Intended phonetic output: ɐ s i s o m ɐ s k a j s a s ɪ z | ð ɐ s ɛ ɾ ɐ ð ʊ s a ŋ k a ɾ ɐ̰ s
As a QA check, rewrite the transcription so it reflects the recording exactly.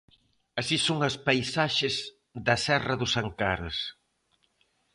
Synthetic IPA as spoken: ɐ s i s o ŋ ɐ s p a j s a ʃ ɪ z | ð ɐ s ɛ r ɐ ð ʊ s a ŋ k a ɾ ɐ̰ s